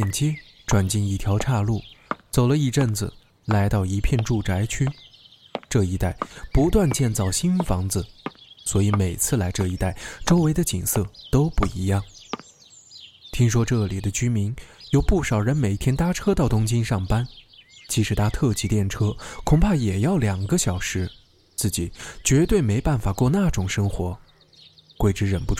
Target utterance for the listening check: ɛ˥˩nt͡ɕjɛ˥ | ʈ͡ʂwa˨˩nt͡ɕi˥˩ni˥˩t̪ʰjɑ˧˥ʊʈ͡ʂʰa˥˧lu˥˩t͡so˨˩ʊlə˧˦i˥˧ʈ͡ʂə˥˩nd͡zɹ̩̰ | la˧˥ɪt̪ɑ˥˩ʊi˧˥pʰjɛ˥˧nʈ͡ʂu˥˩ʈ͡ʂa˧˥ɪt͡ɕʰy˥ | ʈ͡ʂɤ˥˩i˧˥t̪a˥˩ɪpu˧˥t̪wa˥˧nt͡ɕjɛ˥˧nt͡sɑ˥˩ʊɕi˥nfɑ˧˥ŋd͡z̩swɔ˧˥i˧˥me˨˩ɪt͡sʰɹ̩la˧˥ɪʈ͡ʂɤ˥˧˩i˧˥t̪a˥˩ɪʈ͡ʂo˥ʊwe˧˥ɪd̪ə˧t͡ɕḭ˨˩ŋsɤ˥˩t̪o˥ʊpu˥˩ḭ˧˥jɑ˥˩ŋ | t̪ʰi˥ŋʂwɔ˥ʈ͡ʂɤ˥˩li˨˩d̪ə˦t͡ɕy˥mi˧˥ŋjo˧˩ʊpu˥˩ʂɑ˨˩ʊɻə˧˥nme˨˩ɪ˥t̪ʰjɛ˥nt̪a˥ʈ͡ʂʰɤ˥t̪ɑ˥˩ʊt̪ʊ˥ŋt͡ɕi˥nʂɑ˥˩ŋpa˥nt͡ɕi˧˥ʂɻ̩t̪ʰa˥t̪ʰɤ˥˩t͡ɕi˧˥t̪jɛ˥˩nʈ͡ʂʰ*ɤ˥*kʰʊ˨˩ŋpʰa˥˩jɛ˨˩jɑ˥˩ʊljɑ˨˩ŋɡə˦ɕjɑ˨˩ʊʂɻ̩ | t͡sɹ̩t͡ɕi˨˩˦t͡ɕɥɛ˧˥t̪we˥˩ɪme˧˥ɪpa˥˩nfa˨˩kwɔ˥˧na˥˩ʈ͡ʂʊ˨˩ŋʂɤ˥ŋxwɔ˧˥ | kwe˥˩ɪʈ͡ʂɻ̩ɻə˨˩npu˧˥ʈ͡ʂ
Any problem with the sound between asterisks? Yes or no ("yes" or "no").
no